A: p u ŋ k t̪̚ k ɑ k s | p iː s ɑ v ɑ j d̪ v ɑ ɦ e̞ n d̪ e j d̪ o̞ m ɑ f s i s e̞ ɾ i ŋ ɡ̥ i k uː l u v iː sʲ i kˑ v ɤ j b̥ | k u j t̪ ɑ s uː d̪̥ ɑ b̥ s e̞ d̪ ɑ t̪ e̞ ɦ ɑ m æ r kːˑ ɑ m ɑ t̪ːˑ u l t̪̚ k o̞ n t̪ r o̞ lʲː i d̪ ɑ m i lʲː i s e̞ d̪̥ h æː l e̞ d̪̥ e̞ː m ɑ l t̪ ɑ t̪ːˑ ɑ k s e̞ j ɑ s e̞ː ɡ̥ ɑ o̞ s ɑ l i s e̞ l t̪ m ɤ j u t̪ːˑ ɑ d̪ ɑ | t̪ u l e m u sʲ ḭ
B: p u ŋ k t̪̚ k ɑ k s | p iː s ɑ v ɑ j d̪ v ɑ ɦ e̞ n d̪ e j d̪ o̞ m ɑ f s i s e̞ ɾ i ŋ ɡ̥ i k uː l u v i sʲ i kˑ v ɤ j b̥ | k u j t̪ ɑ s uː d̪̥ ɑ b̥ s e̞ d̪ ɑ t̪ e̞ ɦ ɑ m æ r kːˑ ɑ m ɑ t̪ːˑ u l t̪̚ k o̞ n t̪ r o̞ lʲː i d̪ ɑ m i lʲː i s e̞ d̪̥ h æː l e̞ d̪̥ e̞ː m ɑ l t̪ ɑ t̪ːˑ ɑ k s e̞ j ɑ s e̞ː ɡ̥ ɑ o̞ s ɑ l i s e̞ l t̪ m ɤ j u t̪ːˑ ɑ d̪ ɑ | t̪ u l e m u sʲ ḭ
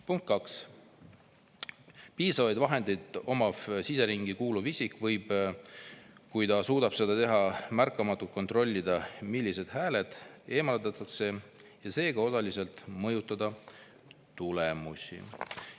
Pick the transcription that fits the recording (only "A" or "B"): B